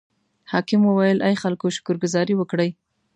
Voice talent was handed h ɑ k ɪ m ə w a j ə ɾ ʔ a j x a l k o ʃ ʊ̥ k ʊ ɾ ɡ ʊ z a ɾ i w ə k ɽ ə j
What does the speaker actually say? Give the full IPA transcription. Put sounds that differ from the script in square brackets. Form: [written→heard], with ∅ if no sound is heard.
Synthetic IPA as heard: h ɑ k ɪ m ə w a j ə [ɾ→l] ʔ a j x a l k o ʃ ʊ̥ k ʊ ɾ ɡ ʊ z [a→ɑ] ɾ i w ə k ɽ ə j